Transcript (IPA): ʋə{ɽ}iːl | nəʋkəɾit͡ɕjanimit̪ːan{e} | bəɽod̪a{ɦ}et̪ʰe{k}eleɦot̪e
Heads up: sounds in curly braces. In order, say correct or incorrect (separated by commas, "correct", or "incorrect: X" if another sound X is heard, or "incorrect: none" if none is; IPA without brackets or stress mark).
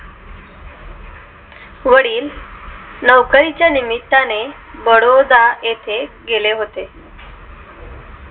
correct, correct, incorrect: none, incorrect: ɡ